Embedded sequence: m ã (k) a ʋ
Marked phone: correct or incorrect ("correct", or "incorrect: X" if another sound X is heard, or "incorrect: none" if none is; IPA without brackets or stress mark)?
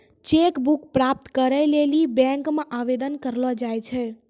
incorrect: ʔ